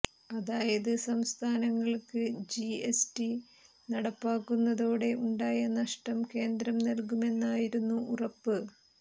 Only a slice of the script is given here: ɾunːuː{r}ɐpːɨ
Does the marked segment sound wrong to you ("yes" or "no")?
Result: no